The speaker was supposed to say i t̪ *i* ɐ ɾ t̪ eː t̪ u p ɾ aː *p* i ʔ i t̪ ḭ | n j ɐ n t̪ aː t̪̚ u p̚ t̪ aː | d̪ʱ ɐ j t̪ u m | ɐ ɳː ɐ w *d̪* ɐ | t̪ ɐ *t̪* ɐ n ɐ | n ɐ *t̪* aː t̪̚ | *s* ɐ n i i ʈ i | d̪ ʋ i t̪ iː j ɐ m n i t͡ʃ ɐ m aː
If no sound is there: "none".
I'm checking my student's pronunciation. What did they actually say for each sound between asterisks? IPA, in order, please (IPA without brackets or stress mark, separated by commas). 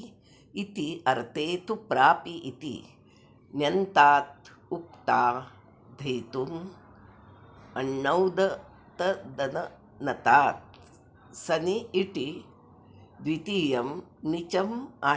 i, p, d̪, d̪, t̪, s